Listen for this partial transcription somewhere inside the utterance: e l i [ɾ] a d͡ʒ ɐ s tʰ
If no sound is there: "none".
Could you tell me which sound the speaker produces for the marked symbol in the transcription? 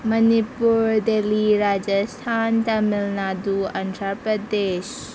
ɾ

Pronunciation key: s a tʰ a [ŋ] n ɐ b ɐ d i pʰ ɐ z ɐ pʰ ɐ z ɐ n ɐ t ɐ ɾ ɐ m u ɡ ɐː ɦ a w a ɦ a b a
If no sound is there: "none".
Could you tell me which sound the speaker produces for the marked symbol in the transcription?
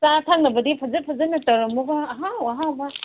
ŋ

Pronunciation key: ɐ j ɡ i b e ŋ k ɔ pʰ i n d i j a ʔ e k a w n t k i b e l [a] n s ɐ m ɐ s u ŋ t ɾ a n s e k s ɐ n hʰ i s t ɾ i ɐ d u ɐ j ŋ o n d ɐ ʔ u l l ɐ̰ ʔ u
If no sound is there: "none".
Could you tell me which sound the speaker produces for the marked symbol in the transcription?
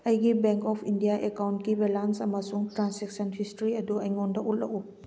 a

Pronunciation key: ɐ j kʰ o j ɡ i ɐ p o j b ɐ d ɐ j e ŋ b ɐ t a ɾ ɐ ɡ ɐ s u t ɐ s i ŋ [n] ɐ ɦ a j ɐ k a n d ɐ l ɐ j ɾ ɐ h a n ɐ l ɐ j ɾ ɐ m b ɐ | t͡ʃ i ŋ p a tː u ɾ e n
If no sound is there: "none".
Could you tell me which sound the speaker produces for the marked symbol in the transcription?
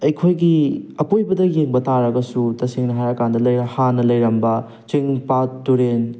n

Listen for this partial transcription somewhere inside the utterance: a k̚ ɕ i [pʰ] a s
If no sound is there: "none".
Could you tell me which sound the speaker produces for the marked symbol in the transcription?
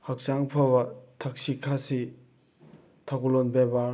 kʰ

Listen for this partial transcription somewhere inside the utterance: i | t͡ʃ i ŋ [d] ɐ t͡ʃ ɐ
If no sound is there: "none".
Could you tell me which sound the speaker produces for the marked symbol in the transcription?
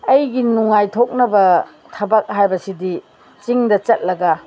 d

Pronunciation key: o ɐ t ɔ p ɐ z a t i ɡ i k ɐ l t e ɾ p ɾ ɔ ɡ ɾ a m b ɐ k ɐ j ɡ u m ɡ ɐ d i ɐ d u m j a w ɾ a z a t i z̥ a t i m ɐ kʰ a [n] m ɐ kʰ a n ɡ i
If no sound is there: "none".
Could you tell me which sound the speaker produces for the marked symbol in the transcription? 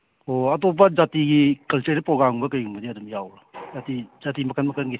n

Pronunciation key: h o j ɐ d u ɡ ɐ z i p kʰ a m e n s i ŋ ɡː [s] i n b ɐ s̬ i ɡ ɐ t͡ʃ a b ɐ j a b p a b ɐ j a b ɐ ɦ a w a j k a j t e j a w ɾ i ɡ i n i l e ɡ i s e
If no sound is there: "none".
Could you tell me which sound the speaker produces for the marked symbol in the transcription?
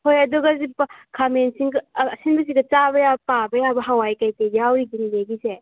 s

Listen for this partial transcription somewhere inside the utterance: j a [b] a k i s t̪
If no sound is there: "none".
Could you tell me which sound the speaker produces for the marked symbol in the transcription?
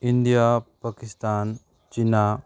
p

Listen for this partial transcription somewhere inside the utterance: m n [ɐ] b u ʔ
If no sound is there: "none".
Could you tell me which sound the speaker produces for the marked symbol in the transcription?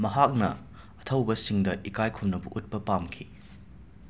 ɐ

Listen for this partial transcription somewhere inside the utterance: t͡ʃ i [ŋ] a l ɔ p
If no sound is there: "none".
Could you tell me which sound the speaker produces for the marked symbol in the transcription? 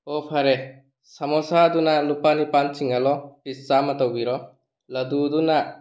ŋ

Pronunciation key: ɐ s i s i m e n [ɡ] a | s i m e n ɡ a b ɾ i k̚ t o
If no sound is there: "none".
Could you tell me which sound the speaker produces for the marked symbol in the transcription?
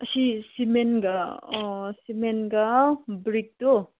ɡ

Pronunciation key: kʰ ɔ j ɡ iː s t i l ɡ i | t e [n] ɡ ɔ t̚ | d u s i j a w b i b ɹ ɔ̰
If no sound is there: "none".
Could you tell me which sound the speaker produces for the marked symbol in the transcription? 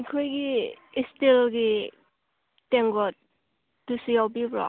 ŋ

